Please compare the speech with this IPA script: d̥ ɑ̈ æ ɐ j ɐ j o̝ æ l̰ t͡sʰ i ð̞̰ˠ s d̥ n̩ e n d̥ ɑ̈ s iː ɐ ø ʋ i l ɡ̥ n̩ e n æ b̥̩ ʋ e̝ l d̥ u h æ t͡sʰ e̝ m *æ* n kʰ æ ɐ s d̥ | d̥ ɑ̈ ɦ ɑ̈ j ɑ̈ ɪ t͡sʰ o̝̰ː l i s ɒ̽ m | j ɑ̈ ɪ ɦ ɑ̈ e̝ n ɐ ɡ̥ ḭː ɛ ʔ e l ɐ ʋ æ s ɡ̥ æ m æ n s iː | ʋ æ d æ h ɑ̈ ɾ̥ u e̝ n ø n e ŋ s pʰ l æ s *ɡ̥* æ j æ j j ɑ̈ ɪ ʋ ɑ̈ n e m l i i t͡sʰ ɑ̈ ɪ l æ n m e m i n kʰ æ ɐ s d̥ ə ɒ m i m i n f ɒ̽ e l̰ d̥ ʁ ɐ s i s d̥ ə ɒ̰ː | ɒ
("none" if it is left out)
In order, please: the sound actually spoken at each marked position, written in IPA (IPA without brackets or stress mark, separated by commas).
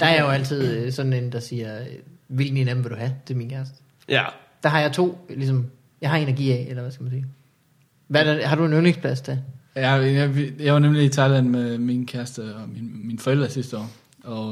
i, d̥